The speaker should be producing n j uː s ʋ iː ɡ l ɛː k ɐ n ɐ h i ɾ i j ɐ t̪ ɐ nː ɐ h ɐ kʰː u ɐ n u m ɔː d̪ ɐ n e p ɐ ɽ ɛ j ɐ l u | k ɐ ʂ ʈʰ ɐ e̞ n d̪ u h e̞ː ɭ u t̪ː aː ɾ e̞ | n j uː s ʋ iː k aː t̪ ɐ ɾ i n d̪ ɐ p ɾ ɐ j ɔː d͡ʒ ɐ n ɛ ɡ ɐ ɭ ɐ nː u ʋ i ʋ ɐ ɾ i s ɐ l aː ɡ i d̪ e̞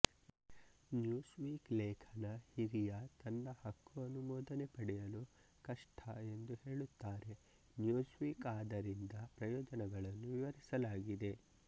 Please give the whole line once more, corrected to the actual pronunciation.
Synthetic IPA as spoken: n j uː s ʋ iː k l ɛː kʰ ɐ n ɐ h i ɾ i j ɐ t̪ ɐ nː ɐ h ɐ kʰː u ɐ n u m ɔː d̪ ɐ n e p ɐ ɽ ɛ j ɐ l u | k ɐ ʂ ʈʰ ɐ e̞ n d̪ u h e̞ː ɭ u t̪ː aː ɾ e̞ | n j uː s ʋ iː k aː d̪ ɐ ɾ i n d̪ ɐ p ɾ ɐ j ɔː d͡ʒ ɐ n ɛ ɡ ɐ ɭ ɐ nː u ʋ i ʋ ɐ ɾ i s ɐ l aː ɡ i d̪ e̞